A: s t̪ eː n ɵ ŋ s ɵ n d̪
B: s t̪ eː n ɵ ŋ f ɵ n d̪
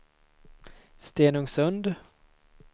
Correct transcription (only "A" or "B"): A